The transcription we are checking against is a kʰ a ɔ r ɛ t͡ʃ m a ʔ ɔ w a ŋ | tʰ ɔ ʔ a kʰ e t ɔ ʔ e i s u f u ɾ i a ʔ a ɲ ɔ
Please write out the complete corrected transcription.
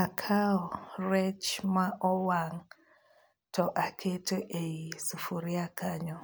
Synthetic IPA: a kʰ a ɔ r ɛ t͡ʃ m a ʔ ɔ w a ŋ | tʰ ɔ ʔ a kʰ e t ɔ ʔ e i s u f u ɾ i a k a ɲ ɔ